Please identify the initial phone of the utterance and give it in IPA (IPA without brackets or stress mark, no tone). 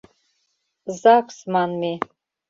z